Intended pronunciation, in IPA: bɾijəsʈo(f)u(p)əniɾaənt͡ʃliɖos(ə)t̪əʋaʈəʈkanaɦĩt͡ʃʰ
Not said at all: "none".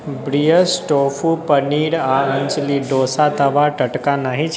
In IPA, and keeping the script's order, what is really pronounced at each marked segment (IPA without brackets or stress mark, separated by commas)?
f, p, a